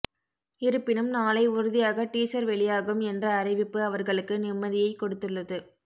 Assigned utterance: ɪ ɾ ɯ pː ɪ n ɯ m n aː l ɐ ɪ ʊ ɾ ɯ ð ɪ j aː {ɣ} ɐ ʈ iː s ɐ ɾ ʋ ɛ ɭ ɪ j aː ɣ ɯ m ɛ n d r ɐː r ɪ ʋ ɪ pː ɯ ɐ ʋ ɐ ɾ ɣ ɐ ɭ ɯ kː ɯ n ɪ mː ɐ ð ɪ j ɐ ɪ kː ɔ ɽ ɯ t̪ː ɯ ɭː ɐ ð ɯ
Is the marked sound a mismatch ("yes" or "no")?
no